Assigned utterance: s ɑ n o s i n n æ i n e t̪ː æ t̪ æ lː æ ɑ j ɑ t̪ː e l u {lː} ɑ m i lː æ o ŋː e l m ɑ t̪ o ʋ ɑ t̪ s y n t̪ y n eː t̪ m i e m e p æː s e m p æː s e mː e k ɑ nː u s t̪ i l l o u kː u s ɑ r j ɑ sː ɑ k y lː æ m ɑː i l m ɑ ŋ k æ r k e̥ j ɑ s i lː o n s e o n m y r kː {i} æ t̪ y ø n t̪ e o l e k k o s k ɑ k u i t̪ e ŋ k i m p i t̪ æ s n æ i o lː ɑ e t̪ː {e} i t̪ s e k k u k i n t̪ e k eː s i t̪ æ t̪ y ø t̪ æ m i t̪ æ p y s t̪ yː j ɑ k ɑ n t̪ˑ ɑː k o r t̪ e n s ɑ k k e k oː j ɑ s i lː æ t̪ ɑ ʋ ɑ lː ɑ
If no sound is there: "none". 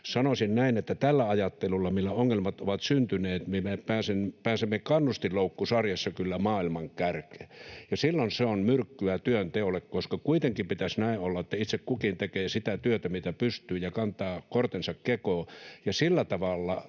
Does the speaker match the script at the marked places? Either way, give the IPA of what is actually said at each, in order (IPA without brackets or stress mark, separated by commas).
lː, y, æ